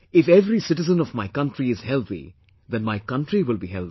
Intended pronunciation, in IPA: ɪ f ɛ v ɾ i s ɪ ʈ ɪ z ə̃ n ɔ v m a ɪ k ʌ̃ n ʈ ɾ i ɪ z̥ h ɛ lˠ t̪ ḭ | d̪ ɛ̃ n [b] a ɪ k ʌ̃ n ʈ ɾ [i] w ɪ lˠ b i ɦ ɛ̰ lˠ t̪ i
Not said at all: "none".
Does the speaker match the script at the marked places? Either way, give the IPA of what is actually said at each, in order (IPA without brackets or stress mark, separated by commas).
m, i